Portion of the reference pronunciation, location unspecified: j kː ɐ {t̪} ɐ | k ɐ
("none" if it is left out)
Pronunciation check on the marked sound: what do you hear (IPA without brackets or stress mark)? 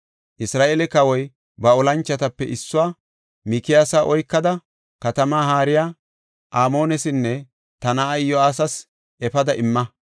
d̪